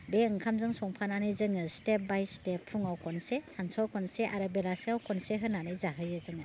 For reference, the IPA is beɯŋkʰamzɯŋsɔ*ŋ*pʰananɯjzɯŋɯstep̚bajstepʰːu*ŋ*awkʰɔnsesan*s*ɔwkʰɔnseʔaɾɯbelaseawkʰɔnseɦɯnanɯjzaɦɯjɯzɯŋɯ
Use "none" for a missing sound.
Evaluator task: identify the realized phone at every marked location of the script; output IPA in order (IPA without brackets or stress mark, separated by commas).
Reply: ŋ, ŋ, s